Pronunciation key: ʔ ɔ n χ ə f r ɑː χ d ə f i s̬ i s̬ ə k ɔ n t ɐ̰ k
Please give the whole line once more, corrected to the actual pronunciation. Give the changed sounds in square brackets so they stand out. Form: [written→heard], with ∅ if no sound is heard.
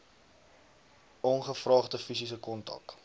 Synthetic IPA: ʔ ɔ n χ ə f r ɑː χ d ə f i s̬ i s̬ ə k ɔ n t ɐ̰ k